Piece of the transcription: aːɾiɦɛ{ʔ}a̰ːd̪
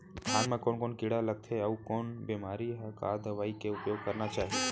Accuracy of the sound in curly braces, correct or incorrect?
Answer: incorrect